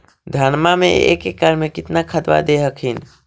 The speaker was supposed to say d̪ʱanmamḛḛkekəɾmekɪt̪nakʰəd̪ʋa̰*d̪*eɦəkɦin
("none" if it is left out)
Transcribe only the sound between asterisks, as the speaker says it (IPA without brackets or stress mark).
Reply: d̪